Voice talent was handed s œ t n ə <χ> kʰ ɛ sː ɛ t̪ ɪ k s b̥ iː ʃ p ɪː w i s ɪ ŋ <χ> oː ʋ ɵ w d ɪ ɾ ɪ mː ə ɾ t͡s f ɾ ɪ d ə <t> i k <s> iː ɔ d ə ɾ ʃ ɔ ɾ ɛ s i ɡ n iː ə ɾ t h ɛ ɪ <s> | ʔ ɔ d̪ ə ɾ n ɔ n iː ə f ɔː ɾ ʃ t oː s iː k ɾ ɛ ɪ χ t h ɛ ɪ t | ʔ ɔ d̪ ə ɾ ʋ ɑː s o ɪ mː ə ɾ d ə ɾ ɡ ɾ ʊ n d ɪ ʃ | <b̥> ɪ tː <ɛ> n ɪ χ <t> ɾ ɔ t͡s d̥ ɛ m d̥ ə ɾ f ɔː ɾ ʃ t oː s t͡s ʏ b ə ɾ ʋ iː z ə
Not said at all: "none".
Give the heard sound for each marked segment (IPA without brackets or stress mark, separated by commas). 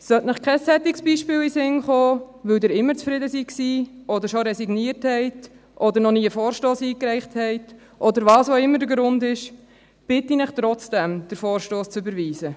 χ, χ, s, s, t, b̥, i, t